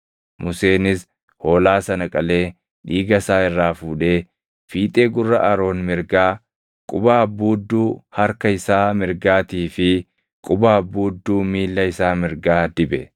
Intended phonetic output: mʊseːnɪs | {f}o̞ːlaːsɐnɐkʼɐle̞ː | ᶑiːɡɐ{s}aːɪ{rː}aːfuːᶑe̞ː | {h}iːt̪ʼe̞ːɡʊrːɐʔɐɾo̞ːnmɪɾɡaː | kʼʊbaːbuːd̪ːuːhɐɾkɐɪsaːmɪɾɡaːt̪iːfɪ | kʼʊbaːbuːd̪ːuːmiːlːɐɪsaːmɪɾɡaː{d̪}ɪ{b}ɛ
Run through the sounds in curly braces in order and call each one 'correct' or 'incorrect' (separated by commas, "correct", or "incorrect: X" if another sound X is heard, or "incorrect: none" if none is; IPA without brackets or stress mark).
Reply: incorrect: h, correct, correct, incorrect: f, correct, correct